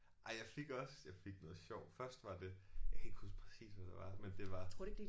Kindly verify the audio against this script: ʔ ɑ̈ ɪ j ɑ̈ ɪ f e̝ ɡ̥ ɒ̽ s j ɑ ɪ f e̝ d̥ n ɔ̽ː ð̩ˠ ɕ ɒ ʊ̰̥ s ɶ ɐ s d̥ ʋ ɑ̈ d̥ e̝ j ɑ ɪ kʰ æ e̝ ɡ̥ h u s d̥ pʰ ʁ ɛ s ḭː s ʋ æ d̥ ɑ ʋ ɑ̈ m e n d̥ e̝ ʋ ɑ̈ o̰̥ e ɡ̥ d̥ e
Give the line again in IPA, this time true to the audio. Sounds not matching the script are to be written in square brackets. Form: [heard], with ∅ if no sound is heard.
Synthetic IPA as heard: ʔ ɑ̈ ɪ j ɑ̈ ɪ f e̝ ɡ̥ ɒ̽ s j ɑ ɪ f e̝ [ɡ̥] n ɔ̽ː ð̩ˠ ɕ ɒ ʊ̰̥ [f] ɶ ɐ s d̥ ʋ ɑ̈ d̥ e̝ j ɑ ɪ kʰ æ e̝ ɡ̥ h u s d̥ pʰ ʁ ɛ s ḭː s ʋ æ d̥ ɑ ʋ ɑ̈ m e n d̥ e̝ ʋ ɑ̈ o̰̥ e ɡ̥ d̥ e

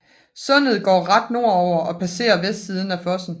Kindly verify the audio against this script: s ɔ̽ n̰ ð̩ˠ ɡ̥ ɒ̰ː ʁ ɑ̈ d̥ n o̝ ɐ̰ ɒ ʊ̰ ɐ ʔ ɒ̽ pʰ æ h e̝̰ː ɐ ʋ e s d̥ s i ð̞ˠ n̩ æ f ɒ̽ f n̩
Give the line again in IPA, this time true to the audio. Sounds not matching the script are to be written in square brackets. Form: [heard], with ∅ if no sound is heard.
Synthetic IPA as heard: s ɔ̽ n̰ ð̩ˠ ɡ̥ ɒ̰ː ʁ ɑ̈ d̥ n o̝ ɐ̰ ɒ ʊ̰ ɐ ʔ ɒ̽ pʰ æ [s] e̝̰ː ɐ ʋ e s d̥ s i ð̞ˠ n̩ æ f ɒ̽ [s] n̩

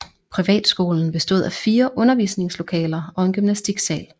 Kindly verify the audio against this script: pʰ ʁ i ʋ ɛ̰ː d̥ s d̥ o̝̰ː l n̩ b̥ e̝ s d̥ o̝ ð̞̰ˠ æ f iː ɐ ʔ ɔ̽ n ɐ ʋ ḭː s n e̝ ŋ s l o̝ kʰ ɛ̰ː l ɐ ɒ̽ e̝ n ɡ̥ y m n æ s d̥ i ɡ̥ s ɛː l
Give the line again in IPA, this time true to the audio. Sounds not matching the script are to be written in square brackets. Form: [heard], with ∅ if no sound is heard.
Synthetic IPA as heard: pʰ ʁ i ʋ ɛ̰ː d̥ s [ɡ̥] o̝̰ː l n̩ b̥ e̝ s d̥ o̝ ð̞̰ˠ æ f iː ɐ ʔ ɔ̽ n ɐ ʋ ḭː s n e̝ ŋ s l o̝ kʰ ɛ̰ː l ɐ ɒ̽ e̝ n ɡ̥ y m n æ s d̥ i ɡ̥ s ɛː l

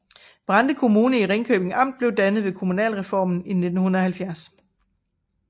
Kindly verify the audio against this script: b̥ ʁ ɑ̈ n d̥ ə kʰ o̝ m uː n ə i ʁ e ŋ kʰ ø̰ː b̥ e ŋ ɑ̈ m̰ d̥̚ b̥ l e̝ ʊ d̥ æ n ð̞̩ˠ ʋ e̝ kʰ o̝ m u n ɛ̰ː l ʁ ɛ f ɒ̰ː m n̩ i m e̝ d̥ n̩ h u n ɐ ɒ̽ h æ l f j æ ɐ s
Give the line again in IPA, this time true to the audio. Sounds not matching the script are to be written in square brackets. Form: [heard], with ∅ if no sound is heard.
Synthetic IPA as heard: b̥ ʁ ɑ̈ n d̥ ə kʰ o̝ m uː n ə i ʁ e ŋ kʰ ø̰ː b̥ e ŋ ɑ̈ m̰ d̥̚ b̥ l e̝ ʊ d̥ æ n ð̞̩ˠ ʋ e̝ kʰ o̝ m u n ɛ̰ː l ʁ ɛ f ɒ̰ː m n̩ i [n] e̝ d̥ n̩ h u n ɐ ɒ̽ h æ l f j æ ɐ s

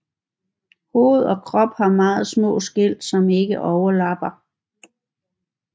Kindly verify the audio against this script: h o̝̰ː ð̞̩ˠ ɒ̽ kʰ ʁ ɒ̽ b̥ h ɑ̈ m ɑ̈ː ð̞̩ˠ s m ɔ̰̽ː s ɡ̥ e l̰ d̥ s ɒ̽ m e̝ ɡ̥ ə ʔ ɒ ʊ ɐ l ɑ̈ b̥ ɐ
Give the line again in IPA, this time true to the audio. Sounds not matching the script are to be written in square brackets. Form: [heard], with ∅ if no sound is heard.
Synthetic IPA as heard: h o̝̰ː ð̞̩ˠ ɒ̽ kʰ ʁ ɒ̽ b̥ h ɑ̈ m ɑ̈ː ð̞̩ˠ s m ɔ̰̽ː s ɡ̥ e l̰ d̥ s ɒ̽ m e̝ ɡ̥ ə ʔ ɒ ʊ ɐ l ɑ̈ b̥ ɐ

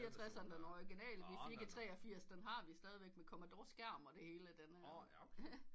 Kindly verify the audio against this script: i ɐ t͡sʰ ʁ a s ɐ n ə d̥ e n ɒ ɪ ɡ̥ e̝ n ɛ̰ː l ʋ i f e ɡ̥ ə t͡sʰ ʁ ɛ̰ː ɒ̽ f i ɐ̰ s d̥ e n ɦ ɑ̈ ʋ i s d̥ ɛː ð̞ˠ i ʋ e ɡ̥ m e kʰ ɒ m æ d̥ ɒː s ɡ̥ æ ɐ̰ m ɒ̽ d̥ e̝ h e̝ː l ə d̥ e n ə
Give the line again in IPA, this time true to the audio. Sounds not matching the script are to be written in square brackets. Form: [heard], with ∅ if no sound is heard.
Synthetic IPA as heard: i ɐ t͡sʰ ʁ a s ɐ n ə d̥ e n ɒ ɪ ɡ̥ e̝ n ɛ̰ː l ʋ i f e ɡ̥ ə t͡sʰ ʁ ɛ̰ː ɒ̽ f i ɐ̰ s d̥ e n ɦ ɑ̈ ʋ i s d̥ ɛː ð̞ˠ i ʋ e ɡ̥ m e kʰ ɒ m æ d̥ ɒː s ɡ̥ æ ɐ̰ m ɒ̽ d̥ e̝ h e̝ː l ə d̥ e n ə

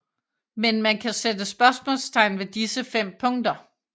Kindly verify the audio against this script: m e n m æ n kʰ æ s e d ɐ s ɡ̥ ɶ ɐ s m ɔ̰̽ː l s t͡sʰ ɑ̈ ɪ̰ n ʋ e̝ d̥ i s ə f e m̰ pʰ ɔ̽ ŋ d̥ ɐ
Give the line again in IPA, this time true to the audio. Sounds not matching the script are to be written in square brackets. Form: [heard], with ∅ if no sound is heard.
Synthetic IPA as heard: m e n m æ n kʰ æ s e d [ə] s [b̥] ɶ ɐ s m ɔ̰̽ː l s t͡sʰ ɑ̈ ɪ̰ n ʋ e̝ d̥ i s ə f e m̰ pʰ ɔ̽ ŋ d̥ ɐ

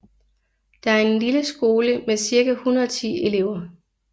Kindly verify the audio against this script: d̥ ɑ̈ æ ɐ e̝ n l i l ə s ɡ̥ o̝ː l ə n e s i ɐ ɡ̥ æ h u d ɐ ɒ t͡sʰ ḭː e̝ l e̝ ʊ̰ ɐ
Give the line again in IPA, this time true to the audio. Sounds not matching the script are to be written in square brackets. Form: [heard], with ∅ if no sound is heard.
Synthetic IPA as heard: d̥ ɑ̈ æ ɐ e̝ n l i l ə s ɡ̥ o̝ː l ə [m] e s i ɐ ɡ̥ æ h u [n] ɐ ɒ t͡sʰ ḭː e̝ l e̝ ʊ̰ ɐ

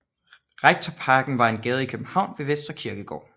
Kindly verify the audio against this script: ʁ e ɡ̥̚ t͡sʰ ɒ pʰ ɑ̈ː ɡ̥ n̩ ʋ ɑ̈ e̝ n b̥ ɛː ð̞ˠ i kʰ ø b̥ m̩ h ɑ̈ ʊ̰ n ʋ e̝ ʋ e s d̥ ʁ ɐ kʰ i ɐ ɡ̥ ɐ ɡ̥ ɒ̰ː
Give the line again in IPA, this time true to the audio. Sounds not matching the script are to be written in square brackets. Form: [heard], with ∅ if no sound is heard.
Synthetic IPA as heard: ʁ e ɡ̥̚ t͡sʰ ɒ pʰ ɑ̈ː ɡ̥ n̩ ʋ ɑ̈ e̝ n [ɡ̥] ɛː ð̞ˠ i kʰ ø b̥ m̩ h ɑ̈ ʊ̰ n ʋ e̝ ʋ e s d̥ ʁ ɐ kʰ i ɐ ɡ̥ [ə] ɡ̥ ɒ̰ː

